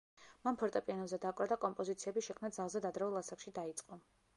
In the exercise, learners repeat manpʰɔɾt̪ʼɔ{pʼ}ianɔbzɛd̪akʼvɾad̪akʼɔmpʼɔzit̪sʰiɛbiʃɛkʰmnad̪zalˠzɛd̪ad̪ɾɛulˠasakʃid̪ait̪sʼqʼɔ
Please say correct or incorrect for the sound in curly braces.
correct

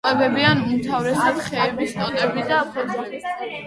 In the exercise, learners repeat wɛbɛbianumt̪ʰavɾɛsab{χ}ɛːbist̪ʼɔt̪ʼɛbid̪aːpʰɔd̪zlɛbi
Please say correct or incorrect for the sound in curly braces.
correct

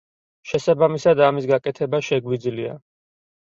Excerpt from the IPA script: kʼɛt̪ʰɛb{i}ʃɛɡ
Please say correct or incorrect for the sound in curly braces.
incorrect: a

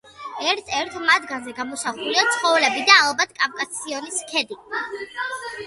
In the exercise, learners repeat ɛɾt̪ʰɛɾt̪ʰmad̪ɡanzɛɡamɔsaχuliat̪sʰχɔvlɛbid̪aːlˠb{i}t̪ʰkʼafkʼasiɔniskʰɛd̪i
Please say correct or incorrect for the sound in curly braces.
incorrect: a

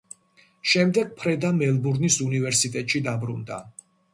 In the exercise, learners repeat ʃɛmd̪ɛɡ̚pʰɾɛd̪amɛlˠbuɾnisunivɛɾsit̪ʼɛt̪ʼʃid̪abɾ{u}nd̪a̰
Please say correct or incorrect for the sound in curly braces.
correct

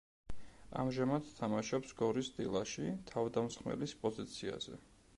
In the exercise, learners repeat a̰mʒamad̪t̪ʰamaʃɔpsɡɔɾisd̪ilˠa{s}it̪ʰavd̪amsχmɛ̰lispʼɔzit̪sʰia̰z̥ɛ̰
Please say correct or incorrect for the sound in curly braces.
incorrect: ʃ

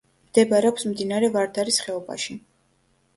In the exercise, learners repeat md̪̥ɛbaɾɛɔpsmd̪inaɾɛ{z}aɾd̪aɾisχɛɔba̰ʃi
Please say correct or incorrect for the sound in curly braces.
incorrect: v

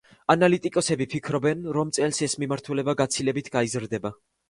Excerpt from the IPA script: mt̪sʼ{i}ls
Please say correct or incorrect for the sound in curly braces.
incorrect: ɛ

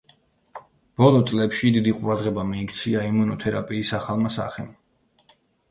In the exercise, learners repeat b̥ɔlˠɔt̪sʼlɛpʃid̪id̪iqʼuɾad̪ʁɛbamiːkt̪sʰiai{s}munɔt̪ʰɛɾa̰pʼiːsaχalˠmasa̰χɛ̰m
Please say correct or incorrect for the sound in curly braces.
incorrect: none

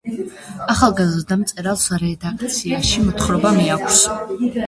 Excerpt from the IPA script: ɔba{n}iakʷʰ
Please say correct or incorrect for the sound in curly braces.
incorrect: m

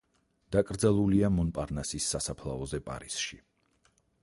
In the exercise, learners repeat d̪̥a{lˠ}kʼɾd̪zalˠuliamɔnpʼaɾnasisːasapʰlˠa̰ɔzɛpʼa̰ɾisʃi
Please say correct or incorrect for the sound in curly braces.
incorrect: none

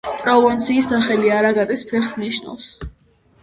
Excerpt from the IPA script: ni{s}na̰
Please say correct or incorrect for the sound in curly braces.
incorrect: ʃ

